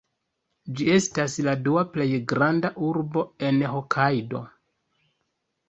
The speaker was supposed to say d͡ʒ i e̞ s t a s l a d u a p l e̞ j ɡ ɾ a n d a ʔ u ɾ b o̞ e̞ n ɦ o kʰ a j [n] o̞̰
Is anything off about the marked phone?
yes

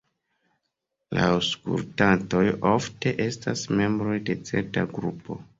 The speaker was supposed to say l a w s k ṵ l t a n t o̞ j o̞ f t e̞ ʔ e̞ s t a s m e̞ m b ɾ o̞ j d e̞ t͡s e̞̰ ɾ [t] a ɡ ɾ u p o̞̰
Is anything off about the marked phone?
no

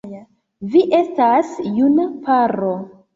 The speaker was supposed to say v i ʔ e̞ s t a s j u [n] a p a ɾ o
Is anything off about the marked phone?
no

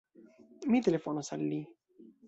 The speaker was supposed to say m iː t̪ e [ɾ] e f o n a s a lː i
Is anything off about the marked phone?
yes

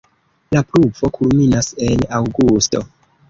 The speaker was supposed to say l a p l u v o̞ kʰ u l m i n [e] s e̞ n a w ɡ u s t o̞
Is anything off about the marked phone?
yes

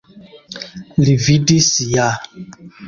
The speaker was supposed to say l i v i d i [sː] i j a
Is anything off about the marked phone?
yes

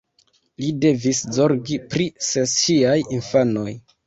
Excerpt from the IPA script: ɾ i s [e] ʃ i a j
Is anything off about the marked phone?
no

